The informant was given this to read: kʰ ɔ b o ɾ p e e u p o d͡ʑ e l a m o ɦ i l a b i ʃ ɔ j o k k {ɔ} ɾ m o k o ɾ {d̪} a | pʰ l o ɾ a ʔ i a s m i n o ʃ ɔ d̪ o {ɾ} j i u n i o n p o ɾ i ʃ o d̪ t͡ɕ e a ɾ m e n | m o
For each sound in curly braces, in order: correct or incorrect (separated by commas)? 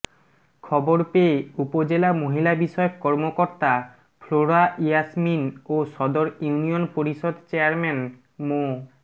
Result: correct, incorrect, correct